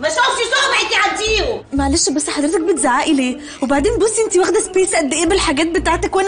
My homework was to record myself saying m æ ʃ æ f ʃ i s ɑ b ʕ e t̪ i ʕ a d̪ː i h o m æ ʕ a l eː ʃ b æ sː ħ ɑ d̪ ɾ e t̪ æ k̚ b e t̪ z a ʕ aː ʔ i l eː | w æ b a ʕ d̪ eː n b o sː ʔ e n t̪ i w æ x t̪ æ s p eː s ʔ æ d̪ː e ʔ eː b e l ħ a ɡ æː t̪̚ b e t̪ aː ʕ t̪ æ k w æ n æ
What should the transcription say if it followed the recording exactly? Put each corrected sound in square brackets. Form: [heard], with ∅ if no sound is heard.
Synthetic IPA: m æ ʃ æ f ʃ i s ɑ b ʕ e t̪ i ʕ a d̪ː [iː] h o m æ ʕ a l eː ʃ b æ sː ħ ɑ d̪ ɾ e t̪ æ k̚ b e t̪ z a ʕ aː ʔ i l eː | w [e] b a ʕ d̪ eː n b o sː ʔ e n t̪ i w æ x [d̪] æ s p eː s ʔ æ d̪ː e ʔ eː b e l ħ a ɡ æː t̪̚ b e t̪ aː ʕ t̪ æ k w æ n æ